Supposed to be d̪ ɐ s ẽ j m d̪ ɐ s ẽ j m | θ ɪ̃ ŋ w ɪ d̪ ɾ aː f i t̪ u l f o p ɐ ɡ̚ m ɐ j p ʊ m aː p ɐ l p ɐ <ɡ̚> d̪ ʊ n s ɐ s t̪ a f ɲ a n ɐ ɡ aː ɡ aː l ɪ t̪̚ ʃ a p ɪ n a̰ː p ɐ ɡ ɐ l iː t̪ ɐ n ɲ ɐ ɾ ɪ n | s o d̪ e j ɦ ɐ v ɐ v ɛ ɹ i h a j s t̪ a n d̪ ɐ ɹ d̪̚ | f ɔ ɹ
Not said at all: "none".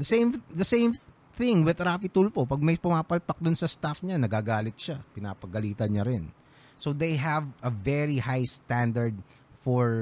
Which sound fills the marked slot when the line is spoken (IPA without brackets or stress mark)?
k̚